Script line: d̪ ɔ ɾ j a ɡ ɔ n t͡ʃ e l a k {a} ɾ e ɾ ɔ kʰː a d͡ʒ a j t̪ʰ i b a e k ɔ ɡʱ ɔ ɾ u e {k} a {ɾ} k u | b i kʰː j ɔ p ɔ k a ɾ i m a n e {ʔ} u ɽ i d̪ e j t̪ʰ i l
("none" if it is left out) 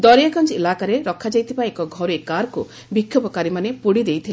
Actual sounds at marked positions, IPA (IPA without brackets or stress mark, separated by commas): a, k, ɾ, p